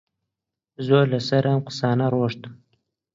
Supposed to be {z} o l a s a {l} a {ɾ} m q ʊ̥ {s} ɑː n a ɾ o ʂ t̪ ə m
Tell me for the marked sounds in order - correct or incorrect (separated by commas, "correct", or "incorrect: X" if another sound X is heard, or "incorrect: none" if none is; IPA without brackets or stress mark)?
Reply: correct, incorrect: ɾ, incorrect: none, correct